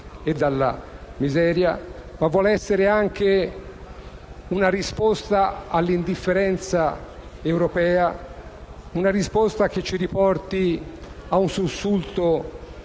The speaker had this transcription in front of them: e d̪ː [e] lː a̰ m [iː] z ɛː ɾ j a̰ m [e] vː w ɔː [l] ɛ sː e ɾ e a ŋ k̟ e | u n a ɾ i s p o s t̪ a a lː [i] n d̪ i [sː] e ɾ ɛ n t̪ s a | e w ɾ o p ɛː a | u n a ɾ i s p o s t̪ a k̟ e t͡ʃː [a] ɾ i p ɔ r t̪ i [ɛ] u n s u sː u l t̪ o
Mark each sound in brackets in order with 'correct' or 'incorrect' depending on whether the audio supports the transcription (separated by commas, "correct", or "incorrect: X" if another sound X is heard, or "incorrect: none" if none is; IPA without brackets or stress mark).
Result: incorrect: a, incorrect: i, incorrect: a, correct, correct, incorrect: fː, incorrect: i, incorrect: a